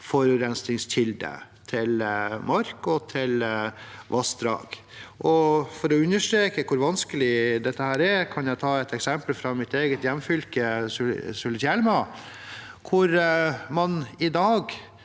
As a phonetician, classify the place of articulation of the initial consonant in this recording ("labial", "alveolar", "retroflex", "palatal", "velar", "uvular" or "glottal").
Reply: labial